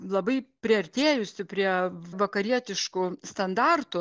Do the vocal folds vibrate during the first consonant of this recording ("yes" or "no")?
yes